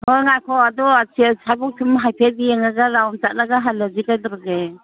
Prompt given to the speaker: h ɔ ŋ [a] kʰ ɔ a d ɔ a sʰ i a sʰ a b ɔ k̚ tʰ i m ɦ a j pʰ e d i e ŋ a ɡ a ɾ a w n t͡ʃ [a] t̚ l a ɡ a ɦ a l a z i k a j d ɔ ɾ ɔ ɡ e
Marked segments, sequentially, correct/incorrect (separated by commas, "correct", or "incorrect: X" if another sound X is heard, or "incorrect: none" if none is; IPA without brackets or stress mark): correct, correct